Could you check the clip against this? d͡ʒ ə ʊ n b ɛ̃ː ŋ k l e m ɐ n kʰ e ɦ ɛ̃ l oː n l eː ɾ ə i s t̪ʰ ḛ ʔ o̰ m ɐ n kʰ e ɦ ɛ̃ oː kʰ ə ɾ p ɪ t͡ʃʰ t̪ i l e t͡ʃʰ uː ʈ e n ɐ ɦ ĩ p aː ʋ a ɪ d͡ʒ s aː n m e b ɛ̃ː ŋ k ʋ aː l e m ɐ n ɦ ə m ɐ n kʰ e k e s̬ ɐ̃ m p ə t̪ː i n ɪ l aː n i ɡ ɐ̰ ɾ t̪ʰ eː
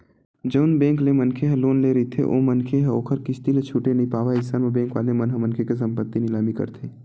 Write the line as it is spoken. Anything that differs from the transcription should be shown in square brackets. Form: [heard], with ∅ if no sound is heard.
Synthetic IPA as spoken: d͡ʒ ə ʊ n b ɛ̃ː ŋ k l e m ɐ n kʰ e ɦ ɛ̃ l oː n l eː ɾ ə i [∅] t̪ʰ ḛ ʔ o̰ m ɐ n kʰ e ɦ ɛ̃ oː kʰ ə ɾ [k] ɪ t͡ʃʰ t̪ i l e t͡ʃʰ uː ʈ e n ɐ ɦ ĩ p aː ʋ a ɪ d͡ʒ s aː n m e b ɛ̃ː ŋ k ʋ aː l e m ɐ n ɦ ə m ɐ n kʰ e k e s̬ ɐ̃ m p ə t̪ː i n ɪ l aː [m] i [k] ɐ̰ ɾ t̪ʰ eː

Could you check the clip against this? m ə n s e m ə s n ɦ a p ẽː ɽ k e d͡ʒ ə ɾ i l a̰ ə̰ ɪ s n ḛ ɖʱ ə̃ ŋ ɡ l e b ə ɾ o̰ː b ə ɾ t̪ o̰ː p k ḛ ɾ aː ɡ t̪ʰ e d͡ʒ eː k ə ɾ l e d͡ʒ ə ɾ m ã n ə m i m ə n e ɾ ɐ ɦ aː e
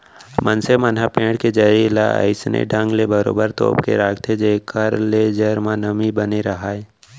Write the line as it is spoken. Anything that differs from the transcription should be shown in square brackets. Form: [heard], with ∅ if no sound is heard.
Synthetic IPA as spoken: m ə n s e m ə [∅] n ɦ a p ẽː ɽ k e d͡ʒ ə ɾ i l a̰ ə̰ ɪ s n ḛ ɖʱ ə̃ ŋ ɡ l e b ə ɾ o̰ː b ə ɾ t̪ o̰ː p k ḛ ɾ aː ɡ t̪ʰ e d͡ʒ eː k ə ɾ l e d͡ʒ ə ɾ m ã n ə m i [b] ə n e ɾ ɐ ɦ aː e

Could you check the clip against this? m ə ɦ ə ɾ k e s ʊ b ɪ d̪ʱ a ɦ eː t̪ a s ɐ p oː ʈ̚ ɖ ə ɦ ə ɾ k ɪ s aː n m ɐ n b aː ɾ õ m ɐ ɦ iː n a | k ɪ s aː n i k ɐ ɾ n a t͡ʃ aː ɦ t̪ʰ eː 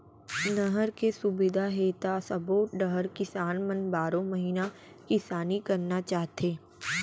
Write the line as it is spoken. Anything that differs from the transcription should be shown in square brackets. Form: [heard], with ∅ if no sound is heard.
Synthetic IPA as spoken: [n] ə ɦ ə ɾ k e s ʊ b ɪ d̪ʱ a ɦ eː t̪ a s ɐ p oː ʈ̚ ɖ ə ɦ ə ɾ k ɪ s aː n m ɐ n b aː ɾ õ m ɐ ɦ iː n a | k ɪ s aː n i k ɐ ɾ n a t͡ʃ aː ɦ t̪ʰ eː

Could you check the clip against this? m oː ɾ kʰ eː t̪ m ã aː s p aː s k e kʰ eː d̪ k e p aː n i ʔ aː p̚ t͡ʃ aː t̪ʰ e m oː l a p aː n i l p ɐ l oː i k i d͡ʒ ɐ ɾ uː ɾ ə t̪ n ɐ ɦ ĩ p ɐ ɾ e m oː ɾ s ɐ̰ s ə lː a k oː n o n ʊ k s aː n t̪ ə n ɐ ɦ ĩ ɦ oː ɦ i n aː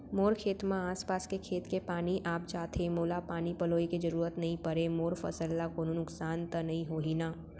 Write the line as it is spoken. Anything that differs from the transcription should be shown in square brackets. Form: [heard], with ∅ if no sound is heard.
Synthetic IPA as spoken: m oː ɾ kʰ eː t̪ m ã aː s p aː s k e kʰ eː [t̪] k e p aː n i ʔ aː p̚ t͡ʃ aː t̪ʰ e m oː l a p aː n i [∅] p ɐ l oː i k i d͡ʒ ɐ ɾ uː ɾ ə t̪ n ɐ ɦ ĩ p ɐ ɾ e m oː ɾ [f] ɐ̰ s ə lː a k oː n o n ʊ k s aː n t̪ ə n ɐ ɦ ĩ ɦ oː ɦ i n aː

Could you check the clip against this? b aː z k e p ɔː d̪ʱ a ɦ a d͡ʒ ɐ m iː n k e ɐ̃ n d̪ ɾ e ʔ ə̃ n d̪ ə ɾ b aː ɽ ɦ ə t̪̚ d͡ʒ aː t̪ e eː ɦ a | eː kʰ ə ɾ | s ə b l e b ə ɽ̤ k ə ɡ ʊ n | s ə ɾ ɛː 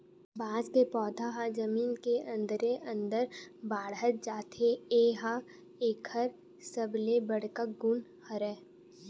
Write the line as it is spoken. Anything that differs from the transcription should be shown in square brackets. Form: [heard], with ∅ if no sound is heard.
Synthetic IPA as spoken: b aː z k e p ɔː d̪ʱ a ɦ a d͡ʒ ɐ m iː n k e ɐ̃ n d̪ ɾ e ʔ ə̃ n d̪ ə ɾ b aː ɽ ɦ ə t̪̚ d͡ʒ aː t̪ e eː ɦ a | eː kʰ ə ɾ | s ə b l e b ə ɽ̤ k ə ɡ ʊ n | [h] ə ɾ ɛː

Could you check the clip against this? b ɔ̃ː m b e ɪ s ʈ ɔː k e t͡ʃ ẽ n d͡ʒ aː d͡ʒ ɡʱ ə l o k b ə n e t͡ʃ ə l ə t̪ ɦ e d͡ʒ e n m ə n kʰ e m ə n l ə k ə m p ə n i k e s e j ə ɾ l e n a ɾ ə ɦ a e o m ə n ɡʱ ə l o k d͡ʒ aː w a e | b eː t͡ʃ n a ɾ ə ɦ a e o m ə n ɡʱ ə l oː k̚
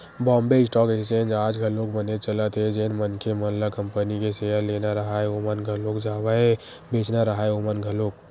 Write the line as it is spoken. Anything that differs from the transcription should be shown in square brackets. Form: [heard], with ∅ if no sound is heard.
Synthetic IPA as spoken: b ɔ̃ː m b e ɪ s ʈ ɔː k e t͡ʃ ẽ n d͡ʒ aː d͡ʒ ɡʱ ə l o k b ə n e t͡ʃ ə l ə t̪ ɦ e d͡ʒ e n m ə n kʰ e m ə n l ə k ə m p ə n i k e s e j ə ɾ l e n a ɾ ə ɦ a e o m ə n ɡʱ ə l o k d͡ʒ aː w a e | b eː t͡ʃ n a ɾ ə ɦ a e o m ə n ɡʱ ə l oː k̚

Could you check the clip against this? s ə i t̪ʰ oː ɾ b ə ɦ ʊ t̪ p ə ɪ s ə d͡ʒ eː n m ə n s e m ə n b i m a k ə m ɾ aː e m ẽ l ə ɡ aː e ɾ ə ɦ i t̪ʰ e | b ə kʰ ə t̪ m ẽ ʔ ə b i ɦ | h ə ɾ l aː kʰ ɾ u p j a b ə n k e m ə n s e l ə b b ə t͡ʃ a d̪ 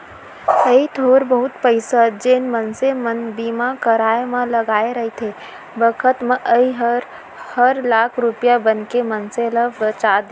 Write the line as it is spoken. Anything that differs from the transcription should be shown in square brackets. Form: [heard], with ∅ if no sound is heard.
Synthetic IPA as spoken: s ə i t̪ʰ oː ɾ b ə ɦ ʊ t̪ p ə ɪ s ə d͡ʒ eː n m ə n s e m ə n b i m a k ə [∅] ɾ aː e m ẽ l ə ɡ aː e ɾ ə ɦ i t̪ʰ e | b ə kʰ ə t̪ m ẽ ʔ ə [∅] i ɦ | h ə ɾ l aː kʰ ɾ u p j a b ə n k e m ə n s e l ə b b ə t͡ʃ a d̪

